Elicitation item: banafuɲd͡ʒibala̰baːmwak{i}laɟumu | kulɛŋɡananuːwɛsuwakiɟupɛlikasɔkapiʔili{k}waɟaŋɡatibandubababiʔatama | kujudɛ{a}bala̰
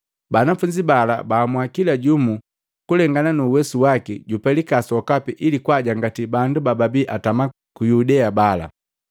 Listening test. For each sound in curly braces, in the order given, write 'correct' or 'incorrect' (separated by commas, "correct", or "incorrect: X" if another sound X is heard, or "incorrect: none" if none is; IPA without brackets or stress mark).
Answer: correct, correct, correct